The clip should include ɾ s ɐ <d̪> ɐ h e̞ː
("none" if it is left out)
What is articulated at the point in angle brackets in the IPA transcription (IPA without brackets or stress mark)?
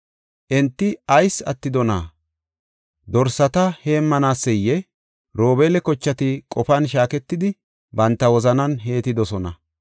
t̪